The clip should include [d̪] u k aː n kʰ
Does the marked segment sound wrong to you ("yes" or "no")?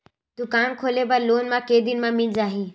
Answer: yes